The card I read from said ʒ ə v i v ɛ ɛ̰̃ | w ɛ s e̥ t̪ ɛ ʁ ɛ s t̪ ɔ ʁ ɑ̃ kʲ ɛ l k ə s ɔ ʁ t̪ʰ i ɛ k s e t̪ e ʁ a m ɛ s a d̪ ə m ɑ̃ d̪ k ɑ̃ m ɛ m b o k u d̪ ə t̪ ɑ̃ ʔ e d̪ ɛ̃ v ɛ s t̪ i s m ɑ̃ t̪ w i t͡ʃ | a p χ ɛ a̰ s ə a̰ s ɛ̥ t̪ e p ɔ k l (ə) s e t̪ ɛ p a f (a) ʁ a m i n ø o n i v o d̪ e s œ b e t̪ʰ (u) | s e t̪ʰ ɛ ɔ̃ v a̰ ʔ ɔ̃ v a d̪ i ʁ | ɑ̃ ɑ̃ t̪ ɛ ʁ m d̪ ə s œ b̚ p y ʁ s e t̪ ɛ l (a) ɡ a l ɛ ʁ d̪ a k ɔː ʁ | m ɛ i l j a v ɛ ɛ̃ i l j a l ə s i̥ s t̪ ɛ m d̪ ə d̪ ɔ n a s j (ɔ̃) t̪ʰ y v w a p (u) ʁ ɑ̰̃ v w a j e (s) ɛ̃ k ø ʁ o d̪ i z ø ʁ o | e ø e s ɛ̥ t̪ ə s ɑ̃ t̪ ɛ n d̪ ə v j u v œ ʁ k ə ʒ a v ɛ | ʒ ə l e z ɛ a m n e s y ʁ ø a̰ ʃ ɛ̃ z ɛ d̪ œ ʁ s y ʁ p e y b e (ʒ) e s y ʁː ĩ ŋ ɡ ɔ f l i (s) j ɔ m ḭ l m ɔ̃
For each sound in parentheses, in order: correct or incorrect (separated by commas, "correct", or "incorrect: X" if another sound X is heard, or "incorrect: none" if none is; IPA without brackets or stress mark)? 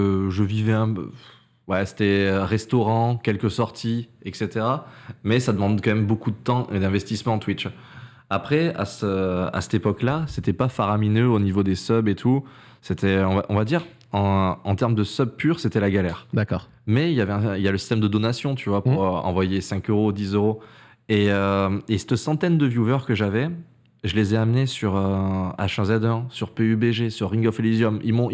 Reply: incorrect: a, correct, correct, correct, correct, correct, correct, correct, incorrect: z